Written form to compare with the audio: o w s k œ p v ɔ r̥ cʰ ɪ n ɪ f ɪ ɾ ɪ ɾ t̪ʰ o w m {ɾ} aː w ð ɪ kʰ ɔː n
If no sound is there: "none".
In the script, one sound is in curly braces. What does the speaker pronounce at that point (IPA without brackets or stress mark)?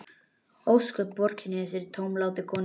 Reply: l